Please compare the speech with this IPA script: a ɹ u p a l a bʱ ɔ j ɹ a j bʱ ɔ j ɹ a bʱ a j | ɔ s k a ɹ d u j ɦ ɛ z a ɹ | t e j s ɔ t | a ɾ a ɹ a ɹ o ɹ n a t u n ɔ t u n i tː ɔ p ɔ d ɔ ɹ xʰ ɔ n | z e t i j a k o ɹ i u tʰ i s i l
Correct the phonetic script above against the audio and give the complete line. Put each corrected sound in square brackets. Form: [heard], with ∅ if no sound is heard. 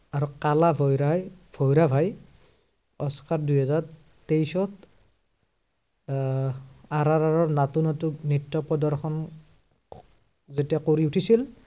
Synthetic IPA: a ɹ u [k] a l a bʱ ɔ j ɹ a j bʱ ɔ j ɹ a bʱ a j | ɔ s k a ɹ d u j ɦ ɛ z a ɹ | t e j s ɔ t | a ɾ a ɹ a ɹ [ɔ] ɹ n a t u n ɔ t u n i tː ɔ p ɔ d ɔ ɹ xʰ ɔ n | z e t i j a k o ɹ i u tʰ i s i l